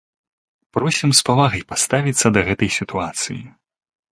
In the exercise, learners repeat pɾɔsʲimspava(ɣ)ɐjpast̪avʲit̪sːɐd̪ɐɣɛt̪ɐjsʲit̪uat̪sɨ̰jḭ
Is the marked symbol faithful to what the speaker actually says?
yes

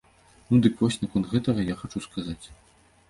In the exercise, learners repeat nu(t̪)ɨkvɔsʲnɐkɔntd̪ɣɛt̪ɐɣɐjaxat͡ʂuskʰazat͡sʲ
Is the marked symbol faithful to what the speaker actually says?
no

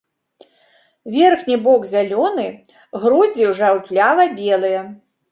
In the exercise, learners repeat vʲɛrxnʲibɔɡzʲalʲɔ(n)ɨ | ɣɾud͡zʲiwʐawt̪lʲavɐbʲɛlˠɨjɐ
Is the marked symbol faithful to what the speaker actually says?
yes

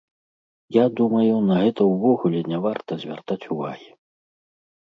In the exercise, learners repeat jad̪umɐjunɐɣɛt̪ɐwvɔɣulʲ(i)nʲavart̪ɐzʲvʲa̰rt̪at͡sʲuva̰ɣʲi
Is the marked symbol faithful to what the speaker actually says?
no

